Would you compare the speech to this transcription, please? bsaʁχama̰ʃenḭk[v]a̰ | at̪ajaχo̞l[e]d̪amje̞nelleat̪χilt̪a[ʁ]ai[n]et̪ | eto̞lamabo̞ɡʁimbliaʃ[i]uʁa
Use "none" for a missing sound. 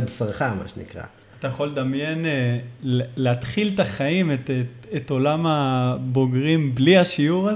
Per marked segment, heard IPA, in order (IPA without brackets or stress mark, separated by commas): ʁ, e, χ, m, i